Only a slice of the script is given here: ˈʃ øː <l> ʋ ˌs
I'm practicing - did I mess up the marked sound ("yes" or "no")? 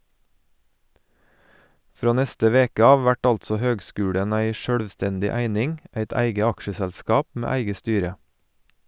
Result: yes